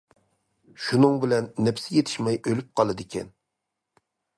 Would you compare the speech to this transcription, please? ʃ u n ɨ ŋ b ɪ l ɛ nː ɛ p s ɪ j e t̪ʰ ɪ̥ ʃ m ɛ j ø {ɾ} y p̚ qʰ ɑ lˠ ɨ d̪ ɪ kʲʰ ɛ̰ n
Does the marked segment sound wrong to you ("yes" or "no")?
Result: yes